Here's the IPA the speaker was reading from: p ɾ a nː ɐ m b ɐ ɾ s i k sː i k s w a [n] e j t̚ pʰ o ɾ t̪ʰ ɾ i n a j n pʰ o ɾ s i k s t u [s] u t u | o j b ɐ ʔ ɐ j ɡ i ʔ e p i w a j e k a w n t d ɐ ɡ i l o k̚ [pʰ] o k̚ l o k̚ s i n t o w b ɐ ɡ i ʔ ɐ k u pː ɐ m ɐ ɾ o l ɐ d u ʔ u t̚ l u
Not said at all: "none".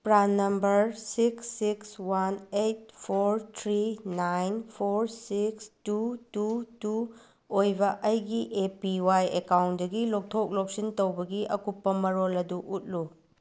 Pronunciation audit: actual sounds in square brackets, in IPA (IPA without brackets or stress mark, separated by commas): n, t, tʰ